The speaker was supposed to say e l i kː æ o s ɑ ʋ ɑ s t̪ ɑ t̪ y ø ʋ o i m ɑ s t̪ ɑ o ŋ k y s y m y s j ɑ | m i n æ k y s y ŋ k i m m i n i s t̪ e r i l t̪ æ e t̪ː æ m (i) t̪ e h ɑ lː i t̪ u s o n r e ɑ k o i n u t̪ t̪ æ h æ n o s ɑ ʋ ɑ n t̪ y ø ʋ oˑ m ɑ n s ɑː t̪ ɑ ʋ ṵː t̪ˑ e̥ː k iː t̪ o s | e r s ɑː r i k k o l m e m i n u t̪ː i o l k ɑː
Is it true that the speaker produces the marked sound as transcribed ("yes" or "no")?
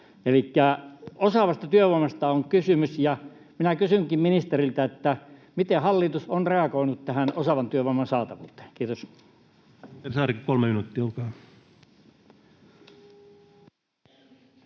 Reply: yes